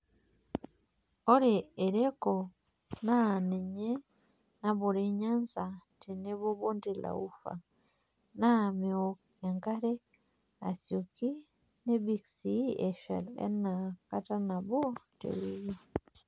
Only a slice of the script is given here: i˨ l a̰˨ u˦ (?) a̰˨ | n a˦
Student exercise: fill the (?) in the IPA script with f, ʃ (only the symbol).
f